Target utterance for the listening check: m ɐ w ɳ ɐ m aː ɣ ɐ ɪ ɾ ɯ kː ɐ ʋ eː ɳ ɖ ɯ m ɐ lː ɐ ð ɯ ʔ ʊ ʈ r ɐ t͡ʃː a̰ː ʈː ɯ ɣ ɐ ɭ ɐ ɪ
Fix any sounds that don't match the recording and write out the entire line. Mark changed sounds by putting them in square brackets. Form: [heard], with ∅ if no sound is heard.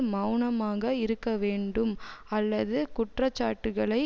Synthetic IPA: m ɐ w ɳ ɐ m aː ɣ ɐ ɪ ɾ ɯ kː ɐ ʋ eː ɳ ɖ ɯ m ɐ lː ɐ ð ɯ [k] ʊ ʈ r ɐ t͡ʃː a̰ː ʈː ɯ ɣ ɐ ɭ ɐ ɪ